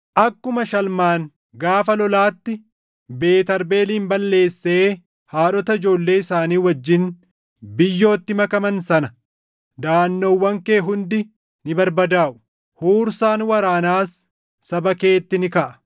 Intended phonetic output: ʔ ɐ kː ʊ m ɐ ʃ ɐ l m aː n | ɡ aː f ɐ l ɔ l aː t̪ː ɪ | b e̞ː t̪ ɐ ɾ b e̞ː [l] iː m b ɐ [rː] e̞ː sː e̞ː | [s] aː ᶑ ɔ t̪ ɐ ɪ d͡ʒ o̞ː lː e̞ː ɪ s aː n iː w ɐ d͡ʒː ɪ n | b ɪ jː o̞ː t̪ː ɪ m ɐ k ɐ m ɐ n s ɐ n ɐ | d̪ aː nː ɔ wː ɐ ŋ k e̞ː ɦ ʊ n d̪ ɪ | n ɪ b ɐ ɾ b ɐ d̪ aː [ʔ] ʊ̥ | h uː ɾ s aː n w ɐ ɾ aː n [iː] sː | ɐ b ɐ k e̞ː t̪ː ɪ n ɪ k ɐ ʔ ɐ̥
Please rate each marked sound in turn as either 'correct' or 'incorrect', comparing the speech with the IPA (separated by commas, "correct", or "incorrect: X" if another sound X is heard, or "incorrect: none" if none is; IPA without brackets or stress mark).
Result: correct, incorrect: lː, incorrect: h, correct, incorrect: aː